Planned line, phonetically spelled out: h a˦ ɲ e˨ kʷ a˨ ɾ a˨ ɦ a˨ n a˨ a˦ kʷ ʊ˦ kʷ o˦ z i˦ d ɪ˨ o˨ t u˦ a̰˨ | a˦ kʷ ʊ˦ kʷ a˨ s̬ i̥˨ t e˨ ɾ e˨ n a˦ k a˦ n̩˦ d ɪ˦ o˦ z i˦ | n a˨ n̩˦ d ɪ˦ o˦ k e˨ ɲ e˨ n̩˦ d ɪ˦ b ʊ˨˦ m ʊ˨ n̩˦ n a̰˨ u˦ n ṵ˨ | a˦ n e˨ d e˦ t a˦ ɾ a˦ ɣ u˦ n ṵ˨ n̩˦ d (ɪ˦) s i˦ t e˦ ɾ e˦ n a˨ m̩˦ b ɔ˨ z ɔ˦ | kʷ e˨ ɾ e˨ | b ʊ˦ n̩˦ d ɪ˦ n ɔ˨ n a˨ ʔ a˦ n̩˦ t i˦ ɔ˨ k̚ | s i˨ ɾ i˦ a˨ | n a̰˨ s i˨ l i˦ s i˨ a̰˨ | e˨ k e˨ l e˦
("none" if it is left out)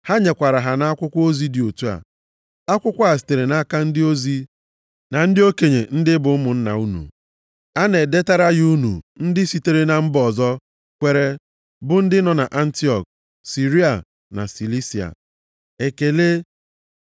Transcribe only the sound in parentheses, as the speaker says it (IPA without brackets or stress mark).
ɪ˦